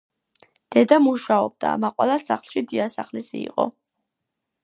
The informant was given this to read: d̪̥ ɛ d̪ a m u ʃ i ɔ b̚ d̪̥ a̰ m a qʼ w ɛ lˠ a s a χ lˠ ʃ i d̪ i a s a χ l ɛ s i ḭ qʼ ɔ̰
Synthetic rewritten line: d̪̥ ɛ d̪ a m u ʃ a ɔ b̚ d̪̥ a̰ m a qʼ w ɛ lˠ a s a χ lˠ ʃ i d̪ i a s a χ l i s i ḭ qʼ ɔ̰

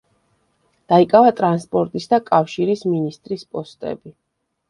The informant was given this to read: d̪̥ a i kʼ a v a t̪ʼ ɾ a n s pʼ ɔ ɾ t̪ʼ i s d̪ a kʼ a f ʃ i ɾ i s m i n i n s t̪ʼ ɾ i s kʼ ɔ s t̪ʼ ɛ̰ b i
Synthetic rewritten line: d̪̥ a i kʼ a v a t̪ʼ ɾ a n s pʼ ɔ ɾ t̪ʼ i s d̪ a kʼ a f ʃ i ɾ i s m i n i s t̪ʼ ɾ i s pʼ ɔ s t̪ʼ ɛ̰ b i

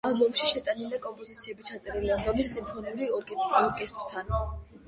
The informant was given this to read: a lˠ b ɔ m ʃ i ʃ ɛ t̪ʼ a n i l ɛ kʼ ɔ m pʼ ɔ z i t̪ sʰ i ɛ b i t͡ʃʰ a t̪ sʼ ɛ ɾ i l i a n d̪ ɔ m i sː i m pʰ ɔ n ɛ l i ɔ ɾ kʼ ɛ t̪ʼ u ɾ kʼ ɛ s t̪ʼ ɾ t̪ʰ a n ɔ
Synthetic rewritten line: a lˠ b ɔ m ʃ i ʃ ɛ t̪ʼ a n i l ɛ kʼ ɔ m pʼ ɔ z i t̪ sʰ i ɛ b i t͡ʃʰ a t̪ sʼ ɛ ɾ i l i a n d̪ ɔ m i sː i m pʰ ɔ n ɛ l i ɔ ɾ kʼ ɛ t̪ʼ ɔ ɾ kʼ ɛ s t̪ʼ ɾ t̪ʰ a n ɔ

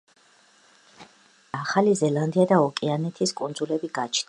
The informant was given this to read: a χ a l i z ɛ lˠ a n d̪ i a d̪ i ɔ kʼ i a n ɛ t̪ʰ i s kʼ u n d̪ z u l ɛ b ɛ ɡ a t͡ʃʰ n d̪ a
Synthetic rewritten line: a χ a l i z ɛ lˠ a n d̪ i a d̪ a ɔ kʼ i a n ɛ t̪ʰ i s kʼ u n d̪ z u l ɛ b i ɡ a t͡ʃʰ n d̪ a

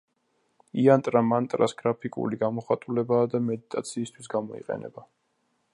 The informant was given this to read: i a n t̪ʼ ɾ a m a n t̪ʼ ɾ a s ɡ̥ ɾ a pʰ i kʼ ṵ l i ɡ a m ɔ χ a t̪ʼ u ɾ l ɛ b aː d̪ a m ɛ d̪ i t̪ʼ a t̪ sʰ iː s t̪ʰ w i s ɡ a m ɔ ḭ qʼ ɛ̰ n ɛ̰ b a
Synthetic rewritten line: i a n t̪ʼ ɾ a m a n t̪ʼ ɾ a s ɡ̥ ɾ a pʰ i kʼ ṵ l i ɡ a m ɔ χ a t̪ʼ u l ɛ b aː d̪ a m ɛ d̪ i t̪ʼ a t̪ sʰ iː s t̪ʰ w i s ɡ a m ɔ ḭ qʼ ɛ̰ n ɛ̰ b a

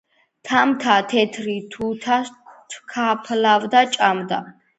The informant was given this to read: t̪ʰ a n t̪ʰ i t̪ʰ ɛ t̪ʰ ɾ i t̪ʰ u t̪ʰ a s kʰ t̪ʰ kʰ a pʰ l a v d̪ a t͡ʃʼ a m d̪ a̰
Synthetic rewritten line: t̪ʰ a m t̪ʰ a t̪ʰ ɛ t̪ʰ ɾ i t̪ʰ u t̪ʰ a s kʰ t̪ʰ kʰ a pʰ l a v d̪ a t͡ʃʼ a m d̪ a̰

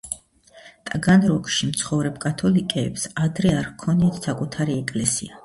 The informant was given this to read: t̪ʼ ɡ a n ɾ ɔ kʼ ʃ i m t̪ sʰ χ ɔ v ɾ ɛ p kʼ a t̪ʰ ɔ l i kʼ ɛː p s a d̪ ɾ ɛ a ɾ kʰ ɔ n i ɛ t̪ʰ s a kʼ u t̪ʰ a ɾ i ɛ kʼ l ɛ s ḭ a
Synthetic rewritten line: t̪ʼ ɡ a n ɾ ɔ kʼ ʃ i m t̪ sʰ χ ɔ v ɾ ɛ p kʼ a t̪ʰ ɔ l i kʼ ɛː p s a d̪ ɾ ɛ a ɾ kʰ ɔ n i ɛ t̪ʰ s a kʼ u t̪ʰ a ɾ i ɛ kʼ l ɛ s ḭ a

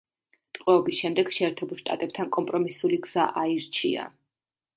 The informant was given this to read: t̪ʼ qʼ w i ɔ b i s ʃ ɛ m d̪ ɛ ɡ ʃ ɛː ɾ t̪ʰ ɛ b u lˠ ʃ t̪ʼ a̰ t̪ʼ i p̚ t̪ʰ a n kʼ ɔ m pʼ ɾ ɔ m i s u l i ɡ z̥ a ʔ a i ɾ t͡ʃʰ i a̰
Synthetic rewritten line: t̪ʼ qʼ w ɛ ɔ b i s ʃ ɛ m d̪ ɛ ɡ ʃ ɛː ɾ t̪ʰ ɛ b u lˠ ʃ t̪ʼ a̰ t̪ʼ ɛ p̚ t̪ʰ a n kʼ ɔ m pʼ ɾ ɔ m i s u l i ɡ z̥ a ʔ a i ɾ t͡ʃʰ i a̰

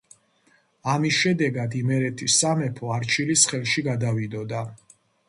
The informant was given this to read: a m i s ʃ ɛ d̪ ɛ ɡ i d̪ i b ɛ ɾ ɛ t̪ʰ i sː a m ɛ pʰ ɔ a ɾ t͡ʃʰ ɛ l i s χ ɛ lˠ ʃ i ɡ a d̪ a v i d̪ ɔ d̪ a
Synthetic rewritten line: a m i s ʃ ɛ d̪ ɛ ɡ a d̪ i m ɛ ɾ ɛ t̪ʰ i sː a m ɛ pʰ ɔ a ɾ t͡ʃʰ i l i s χ ɛ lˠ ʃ i ɡ a d̪ a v i d̪ ɔ d̪ a

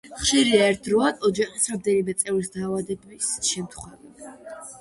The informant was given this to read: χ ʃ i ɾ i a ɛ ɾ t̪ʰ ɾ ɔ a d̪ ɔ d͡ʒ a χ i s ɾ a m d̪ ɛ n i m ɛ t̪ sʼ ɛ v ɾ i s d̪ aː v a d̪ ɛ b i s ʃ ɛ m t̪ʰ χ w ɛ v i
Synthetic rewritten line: χ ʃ i ɾ i a ɛ ɾ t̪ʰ ɾ ɔ a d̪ ɔ d͡ʒ a χ i s ɾ a m d̪ ɛ n i m ɛ t̪ sʼ ɛ v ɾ i s d̪ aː v a d̪ ɛ b i s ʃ ɛ m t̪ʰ χ w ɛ v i

